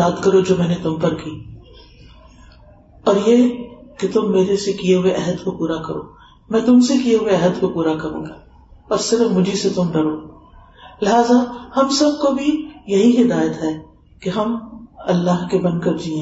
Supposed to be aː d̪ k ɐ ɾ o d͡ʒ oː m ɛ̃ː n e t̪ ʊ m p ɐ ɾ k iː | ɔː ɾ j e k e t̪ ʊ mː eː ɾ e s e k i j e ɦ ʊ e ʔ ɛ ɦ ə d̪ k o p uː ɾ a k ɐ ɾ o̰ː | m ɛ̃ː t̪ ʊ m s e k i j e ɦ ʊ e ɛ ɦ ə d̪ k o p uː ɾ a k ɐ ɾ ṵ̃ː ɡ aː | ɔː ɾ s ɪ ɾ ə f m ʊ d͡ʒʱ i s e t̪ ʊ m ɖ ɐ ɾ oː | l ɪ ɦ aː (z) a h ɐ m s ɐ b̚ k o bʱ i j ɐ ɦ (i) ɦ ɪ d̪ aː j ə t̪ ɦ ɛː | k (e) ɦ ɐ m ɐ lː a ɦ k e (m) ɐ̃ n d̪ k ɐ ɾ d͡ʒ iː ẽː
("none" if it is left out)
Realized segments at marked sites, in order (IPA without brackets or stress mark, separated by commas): z, i, e, b